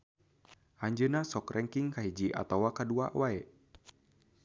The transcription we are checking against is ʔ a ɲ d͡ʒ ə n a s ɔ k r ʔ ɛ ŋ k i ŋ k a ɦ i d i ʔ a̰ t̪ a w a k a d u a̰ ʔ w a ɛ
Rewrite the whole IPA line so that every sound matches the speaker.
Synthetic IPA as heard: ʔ a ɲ d͡ʒ ə n a s ɔ k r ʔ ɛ ŋ k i ŋ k a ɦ i d͡ʒ i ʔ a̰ t̪ a w a k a d u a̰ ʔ w a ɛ